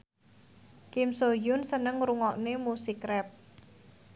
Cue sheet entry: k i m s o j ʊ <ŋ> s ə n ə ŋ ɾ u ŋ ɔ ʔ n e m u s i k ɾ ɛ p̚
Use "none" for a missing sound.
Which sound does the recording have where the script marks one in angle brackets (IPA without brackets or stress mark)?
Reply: n